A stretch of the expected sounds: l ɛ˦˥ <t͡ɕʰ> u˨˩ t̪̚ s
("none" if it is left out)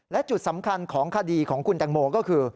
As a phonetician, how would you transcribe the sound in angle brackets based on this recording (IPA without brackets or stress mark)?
t͡ɕ